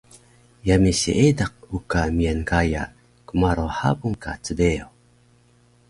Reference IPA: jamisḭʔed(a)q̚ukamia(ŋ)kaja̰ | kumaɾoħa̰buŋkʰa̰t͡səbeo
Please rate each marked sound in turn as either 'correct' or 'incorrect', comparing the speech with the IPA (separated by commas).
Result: correct, incorrect